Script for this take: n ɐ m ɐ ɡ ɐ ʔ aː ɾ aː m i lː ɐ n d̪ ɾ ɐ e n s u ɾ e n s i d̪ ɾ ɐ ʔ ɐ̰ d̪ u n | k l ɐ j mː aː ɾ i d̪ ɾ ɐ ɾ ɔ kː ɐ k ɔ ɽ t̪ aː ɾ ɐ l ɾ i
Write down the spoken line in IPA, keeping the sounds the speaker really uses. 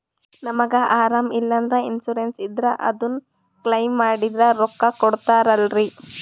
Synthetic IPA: n ɐ m ɐ ɡ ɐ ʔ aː ɾ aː m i lː ɐ n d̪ ɾ ɐ i n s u ɾ e n s i d̪ ɾ ɐ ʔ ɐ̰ d̪ u n | k l ɐ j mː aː ɽ i d̪ ɾ ɐ ɾ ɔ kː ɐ k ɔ ɽ t̪ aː ɾ ɐ l ɾ i